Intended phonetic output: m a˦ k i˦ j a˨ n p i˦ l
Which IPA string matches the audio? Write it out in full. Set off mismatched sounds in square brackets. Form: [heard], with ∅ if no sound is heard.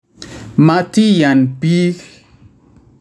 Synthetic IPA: m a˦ [t] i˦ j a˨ n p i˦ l